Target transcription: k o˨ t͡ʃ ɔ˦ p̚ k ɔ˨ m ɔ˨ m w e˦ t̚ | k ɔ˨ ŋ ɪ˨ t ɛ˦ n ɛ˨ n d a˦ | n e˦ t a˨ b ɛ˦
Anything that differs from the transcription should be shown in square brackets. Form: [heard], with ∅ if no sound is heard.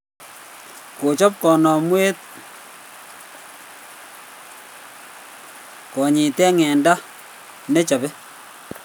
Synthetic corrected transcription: k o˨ t͡ʃ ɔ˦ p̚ k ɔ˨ [n] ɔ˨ m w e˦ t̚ | k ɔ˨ [ɲ] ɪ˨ t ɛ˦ [ŋ] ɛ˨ n d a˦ | n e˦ [t͡ʃ] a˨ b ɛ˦